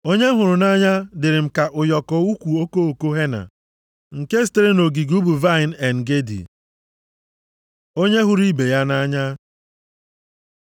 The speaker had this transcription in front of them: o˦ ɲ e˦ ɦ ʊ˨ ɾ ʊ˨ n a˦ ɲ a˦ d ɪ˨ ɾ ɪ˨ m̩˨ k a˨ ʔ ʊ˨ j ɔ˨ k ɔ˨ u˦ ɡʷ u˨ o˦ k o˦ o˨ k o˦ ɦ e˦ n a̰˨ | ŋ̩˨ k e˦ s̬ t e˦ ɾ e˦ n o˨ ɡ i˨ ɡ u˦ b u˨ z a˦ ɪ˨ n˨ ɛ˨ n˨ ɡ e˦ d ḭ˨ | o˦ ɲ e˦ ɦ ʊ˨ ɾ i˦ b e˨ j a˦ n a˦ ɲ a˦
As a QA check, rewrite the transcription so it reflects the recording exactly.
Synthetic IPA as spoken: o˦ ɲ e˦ ɦ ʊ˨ ɾ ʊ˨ n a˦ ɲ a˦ d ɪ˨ ɾ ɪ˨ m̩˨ k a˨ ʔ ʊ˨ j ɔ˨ k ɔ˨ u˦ kʷ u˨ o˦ k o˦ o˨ k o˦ ɦ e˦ n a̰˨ | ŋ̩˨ k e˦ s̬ t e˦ ɾ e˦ n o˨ ɡ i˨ ɡ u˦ b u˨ v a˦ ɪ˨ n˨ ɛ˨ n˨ ɡ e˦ d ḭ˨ | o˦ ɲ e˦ ɦ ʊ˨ ɾ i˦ b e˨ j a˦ n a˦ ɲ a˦